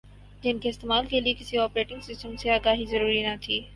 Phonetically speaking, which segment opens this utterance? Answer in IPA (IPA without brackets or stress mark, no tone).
d͡ʒ